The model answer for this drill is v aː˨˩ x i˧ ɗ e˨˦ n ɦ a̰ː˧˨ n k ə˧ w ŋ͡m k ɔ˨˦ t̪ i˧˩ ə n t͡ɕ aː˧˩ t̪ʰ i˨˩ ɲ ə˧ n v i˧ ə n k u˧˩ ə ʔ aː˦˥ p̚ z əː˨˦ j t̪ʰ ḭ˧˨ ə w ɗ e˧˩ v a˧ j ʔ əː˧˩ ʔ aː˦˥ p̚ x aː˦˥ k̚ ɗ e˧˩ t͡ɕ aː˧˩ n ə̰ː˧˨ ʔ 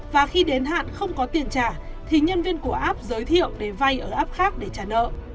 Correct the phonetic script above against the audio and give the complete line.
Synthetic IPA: v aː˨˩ x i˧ ɗ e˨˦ n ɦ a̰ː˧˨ n x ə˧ w ŋ͡m k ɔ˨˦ t̪ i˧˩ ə n t͡ɕ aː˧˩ t̪ʰ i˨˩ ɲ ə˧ n v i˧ ə n k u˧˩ ə ʔ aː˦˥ p̚ z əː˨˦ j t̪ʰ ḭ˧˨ ə w ɗ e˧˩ v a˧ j ʔ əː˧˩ ʔ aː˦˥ p̚ x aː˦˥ k̚ ɗ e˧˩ t͡ɕ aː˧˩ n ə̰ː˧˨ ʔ